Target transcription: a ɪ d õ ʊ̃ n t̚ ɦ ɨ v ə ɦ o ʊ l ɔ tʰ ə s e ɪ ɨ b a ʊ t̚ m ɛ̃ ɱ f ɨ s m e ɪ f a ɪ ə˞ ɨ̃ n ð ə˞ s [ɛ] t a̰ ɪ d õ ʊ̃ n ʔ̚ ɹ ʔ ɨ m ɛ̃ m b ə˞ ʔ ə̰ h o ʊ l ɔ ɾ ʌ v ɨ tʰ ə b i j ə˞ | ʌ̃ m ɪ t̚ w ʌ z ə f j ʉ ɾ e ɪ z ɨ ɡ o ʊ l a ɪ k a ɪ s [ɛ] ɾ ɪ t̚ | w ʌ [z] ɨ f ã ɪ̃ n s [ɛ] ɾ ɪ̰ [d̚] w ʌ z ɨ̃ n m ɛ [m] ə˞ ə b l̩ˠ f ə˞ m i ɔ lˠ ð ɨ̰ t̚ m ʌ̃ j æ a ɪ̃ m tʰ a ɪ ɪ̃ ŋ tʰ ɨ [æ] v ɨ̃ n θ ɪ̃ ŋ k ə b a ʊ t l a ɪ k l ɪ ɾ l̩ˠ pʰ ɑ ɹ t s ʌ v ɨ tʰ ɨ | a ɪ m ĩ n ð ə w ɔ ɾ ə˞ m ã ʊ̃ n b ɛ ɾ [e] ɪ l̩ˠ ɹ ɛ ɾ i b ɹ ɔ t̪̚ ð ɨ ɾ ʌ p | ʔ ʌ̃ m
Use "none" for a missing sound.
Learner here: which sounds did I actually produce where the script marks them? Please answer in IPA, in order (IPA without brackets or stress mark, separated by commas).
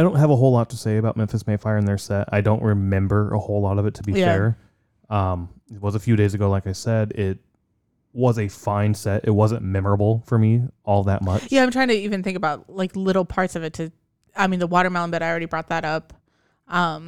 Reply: ɛ, ɛ, z, ɛ, t̚, m, i, a